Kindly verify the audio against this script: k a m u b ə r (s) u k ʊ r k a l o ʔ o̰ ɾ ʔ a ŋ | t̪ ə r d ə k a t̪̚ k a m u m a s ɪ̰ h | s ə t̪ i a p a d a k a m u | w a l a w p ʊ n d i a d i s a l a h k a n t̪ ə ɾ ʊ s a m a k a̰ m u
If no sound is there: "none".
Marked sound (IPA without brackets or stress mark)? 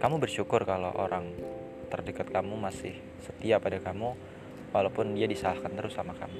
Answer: ʃ